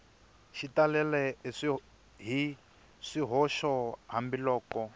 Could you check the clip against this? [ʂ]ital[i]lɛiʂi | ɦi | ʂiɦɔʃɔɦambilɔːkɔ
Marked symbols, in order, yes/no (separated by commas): no, no